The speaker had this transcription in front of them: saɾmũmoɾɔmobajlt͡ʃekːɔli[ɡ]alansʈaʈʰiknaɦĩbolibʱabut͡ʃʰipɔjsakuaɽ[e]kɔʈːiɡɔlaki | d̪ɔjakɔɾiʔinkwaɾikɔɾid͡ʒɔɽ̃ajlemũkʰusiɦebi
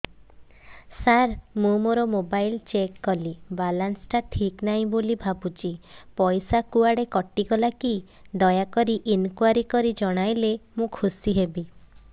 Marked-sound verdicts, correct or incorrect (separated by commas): incorrect, correct